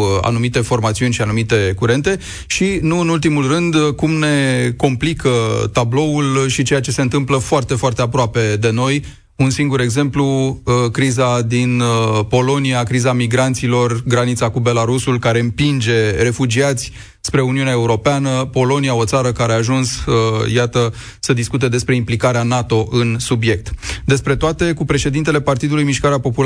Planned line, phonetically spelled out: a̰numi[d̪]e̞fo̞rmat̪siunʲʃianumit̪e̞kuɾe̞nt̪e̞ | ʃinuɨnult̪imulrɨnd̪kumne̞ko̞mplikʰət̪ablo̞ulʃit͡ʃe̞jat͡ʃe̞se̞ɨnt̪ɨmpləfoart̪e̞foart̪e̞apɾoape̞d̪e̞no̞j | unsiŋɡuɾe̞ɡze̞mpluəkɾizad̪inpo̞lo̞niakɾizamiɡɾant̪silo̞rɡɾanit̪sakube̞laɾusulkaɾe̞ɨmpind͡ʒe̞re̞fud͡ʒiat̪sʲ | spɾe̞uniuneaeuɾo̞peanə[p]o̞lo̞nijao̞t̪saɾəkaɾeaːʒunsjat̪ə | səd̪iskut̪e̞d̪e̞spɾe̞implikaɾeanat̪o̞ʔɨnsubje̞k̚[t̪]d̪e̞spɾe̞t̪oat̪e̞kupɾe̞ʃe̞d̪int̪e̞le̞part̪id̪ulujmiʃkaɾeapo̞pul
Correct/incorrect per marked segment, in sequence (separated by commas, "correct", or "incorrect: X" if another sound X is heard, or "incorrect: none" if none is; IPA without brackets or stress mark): incorrect: t̪, correct, correct